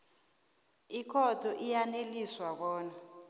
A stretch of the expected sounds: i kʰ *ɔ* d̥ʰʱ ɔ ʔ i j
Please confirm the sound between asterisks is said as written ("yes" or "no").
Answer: yes